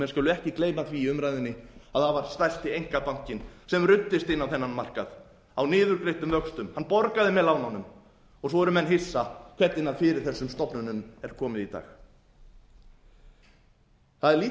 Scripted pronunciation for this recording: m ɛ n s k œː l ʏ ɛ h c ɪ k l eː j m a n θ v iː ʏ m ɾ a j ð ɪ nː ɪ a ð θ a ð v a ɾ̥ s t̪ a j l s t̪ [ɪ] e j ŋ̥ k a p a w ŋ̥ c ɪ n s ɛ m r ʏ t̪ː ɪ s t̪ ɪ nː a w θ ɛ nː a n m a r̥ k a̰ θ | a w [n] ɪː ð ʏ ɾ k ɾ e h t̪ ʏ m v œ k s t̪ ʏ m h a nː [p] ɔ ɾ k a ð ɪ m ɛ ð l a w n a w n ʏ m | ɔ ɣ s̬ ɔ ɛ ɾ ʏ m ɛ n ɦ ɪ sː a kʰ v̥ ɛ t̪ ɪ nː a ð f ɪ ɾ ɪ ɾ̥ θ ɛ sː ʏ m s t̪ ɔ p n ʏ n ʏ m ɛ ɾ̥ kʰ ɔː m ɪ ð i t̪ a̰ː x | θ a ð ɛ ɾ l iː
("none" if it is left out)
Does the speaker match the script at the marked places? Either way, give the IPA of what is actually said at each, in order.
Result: ɪ, n, p

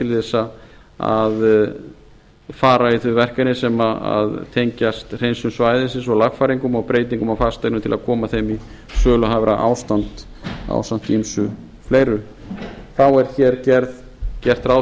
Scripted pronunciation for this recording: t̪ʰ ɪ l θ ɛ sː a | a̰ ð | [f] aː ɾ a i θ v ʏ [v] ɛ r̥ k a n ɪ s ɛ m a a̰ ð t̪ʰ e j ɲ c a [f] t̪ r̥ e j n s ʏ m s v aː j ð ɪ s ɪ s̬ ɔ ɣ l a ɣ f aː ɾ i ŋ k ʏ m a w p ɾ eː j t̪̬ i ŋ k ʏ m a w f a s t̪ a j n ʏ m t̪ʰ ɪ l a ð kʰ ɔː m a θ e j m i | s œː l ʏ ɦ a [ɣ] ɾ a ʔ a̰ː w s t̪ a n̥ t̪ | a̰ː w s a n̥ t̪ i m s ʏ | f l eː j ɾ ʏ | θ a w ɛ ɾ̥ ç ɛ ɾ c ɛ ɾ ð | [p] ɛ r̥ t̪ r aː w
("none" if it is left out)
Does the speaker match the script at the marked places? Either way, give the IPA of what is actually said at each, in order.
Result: f, v, s, v, c

